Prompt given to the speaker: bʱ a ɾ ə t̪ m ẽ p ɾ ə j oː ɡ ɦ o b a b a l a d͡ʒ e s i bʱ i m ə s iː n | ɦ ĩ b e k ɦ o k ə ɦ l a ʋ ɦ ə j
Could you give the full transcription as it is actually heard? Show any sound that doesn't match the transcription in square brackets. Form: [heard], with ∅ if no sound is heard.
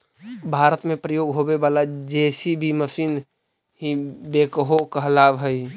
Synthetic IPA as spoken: bʱ a ɾ ə t̪ m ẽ p ɾ ə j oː ɡ ɦ o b [e] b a l a d͡ʒ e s i bʱ i m ə s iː n | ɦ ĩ b e k ɦ o k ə ɦ l a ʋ ɦ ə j

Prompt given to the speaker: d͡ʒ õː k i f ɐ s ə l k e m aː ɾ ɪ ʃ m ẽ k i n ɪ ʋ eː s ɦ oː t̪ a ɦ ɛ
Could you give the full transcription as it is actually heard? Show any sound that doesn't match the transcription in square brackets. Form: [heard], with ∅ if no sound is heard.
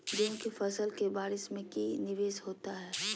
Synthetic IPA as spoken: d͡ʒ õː k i f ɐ s ə l k e [b] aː ɾ ɪ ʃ m ẽ k i n ɪ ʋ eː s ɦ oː t̪ a ɦ [ɛː]

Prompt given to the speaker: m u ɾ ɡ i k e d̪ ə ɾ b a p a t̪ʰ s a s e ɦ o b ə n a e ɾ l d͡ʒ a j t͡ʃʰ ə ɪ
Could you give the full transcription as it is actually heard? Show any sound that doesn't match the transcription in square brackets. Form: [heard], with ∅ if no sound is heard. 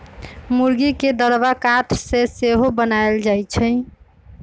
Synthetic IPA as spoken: m u ɾ ɡ i k e d̪ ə ɾ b a [k] a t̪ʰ s [e] s e ɦ o b ə n a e [∅] l d͡ʒ a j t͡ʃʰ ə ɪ

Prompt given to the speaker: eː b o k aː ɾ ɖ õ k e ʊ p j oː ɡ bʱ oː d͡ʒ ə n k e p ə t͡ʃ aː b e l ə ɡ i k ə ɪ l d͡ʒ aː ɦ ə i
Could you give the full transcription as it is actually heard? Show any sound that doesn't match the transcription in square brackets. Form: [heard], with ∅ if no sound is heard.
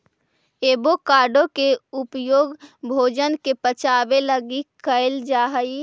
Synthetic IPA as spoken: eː b o k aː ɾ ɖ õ k e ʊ p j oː ɡ bʱ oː d͡ʒ ə n k e p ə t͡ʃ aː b e l ə ɡ i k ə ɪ l d͡ʒ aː ɦ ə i

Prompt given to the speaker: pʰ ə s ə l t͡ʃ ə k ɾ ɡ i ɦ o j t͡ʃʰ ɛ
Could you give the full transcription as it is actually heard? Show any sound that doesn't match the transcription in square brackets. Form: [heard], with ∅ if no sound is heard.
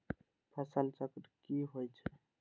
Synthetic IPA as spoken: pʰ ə s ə l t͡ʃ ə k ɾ [k] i ɦ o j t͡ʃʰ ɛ

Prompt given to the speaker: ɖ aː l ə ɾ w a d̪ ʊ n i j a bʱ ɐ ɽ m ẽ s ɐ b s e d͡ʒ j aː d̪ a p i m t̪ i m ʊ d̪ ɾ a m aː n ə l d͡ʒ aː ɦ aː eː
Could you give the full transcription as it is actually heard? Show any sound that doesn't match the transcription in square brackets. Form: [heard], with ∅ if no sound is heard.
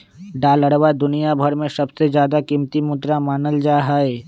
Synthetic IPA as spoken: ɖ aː l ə [ɽ] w a d̪ ʊ n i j a bʱ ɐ [ɾ] m ẽ s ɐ b s e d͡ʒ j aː d̪ a [k] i m t̪ i m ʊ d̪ ɾ a m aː n ə l d͡ʒ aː ɦ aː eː

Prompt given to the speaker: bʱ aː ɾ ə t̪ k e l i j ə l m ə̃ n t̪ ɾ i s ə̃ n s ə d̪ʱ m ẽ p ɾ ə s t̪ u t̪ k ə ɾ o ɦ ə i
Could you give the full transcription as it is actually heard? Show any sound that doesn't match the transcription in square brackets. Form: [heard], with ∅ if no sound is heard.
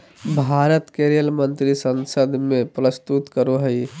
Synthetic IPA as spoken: bʱ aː ɾ ə t̪ k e [ɾ] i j ə l m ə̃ n t̪ ɾ i s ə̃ n s ə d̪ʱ m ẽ p ɾ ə s t̪ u t̪ k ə ɾ o ɦ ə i

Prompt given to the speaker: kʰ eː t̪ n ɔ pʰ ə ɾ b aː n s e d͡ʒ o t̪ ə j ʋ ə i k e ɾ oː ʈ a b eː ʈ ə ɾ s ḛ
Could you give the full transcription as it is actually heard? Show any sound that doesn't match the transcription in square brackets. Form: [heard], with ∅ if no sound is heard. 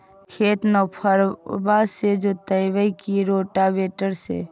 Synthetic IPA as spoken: kʰ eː t̪ n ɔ pʰ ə ɾ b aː [∅] s e d͡ʒ o t̪ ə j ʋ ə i k [i] ɾ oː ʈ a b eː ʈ ə ɾ s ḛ

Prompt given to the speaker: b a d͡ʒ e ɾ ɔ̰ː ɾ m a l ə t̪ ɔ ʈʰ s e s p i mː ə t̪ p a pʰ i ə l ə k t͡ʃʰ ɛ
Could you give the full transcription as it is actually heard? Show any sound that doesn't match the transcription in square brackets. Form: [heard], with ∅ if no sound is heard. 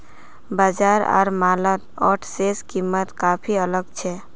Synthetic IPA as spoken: b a d͡ʒ [a] ɾ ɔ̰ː ɾ m a l ə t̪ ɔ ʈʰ s e s [k] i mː ə t̪ [k] a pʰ i ə l ə [ɡ] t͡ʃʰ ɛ

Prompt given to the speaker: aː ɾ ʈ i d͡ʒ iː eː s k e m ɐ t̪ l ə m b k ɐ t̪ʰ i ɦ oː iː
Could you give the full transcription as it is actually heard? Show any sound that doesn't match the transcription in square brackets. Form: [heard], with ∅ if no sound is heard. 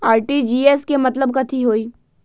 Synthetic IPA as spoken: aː ɾ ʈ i d͡ʒ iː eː s k e m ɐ t̪ l ə [∅] b k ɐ t̪ʰ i ɦ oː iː

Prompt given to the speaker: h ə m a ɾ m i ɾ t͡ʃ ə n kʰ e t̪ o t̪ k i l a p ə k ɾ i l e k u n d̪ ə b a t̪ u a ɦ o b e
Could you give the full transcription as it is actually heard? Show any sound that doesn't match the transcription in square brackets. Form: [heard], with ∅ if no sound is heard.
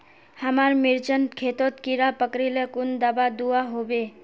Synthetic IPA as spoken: h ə m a ɾ m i ɾ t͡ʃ ə n kʰ e t̪ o t̪ k i [ɾ] a p ə k ɾ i l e k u n d̪ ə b a [d̪] u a ɦ o b e

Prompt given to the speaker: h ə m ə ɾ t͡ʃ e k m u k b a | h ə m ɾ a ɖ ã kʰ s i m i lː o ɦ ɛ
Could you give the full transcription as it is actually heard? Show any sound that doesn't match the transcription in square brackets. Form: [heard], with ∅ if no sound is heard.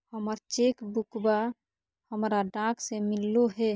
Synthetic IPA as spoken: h ə m ə ɾ t͡ʃ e k [b] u k b a | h ə m ɾ a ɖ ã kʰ s [e] m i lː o ɦ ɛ

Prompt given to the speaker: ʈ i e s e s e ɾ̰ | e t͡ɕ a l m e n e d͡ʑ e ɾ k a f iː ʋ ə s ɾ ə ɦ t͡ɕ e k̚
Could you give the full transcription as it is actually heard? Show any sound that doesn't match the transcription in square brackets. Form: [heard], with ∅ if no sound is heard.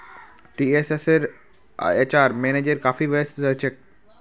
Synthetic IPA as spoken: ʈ i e s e s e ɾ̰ | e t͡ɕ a [ɾ] m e n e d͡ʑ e ɾ k a f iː ʋ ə s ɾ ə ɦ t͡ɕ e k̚

